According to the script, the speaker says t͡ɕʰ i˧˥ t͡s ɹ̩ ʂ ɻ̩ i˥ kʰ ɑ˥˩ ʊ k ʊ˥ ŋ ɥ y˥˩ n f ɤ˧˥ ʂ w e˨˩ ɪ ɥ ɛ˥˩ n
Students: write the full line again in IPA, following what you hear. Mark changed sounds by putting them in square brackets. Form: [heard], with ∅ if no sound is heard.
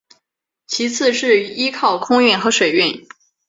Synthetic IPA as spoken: t͡ɕʰ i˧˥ [t͡sʰ] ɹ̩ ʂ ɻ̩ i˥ kʰ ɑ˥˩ ʊ [kʰ] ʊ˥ ŋ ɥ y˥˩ n [x] ɤ˧˥ ʂ w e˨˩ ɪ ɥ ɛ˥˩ n